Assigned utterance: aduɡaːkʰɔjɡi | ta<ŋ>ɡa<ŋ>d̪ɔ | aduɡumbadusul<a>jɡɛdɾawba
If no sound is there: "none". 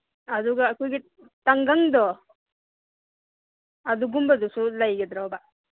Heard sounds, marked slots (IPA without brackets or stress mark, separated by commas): ŋ, ŋ, a